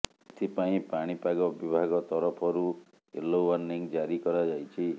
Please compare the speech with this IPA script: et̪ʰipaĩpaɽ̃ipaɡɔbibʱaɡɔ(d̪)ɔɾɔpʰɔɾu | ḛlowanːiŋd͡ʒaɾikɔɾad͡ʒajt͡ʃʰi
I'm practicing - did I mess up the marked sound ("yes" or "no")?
yes